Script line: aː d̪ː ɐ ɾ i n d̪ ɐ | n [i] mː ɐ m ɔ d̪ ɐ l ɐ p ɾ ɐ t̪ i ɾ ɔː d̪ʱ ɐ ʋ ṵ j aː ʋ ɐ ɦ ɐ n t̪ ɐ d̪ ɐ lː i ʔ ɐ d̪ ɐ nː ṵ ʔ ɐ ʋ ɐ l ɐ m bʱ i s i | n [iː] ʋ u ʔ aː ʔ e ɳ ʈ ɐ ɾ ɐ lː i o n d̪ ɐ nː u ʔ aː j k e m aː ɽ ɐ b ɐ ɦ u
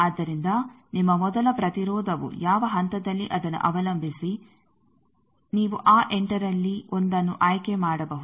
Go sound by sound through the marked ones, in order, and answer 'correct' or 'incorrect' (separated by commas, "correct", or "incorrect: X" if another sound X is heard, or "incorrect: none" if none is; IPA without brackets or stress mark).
correct, correct